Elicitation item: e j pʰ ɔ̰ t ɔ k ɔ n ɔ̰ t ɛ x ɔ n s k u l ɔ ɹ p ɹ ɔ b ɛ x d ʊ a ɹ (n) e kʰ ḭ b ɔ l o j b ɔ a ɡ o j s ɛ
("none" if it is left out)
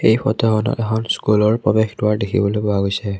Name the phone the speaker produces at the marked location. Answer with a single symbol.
d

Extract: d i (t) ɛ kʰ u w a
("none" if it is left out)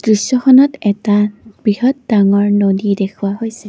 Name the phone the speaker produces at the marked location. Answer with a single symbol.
d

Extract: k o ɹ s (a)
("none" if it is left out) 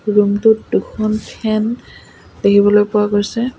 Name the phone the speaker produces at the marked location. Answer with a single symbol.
ɛ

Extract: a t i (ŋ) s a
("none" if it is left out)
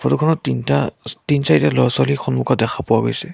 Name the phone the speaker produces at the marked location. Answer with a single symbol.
n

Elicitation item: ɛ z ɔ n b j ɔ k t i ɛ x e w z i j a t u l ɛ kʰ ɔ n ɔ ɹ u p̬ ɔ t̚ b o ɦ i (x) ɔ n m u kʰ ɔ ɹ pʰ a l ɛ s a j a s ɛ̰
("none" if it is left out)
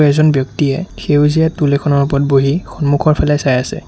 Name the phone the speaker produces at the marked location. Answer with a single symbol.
x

